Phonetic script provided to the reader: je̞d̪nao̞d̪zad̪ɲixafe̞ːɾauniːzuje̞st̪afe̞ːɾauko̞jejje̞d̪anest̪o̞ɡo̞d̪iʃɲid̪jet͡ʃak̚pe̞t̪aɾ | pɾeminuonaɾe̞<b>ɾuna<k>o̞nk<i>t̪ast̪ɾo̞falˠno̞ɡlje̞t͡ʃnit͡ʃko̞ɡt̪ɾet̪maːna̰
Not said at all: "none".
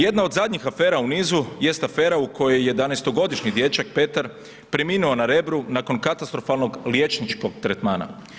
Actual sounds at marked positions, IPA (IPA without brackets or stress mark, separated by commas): b, k, a